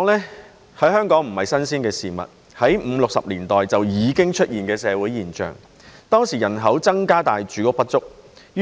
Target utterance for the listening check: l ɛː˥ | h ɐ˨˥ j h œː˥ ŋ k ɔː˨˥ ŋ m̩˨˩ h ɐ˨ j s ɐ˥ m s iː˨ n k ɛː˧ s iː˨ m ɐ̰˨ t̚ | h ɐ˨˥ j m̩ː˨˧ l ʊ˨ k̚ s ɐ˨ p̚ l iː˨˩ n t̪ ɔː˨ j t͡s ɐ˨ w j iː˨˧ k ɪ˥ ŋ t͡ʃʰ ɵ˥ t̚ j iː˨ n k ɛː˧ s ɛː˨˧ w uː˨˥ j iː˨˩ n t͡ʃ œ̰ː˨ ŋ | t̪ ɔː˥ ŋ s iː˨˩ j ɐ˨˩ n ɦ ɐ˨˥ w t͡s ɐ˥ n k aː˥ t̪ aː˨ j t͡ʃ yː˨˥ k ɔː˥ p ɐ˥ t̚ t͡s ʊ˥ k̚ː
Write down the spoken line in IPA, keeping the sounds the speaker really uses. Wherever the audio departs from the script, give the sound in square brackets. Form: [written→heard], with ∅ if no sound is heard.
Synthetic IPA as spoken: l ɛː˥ | h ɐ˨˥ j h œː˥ ŋ k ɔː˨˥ ŋ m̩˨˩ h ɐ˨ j s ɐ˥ [m→n] s [iː˨→iː˥] n k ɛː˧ s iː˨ m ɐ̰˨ t̚ | h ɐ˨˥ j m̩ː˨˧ l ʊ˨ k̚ s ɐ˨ p̚ l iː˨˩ n t̪ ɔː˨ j t͡s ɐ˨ w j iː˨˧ k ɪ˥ ŋ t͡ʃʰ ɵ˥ t̚ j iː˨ n k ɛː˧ s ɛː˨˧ w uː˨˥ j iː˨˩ n t͡ʃ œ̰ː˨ ŋ | t̪ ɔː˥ ŋ s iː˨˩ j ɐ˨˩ n ɦ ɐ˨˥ w t͡s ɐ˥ [n→ŋ] k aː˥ t̪ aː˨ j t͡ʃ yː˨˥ k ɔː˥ p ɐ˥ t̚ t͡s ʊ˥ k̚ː